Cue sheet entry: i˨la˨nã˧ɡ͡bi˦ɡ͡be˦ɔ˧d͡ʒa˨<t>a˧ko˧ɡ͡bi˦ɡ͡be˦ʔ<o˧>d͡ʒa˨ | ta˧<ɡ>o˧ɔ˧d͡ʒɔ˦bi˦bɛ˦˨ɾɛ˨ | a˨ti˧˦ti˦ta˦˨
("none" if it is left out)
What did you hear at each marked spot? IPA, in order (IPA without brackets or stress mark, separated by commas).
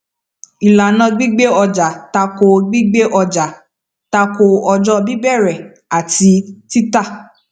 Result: t, ɔ˧, k